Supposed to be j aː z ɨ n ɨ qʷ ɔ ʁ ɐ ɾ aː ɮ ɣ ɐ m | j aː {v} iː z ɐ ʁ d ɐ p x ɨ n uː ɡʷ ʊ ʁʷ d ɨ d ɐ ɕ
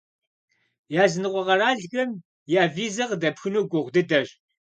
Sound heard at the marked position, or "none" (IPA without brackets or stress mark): v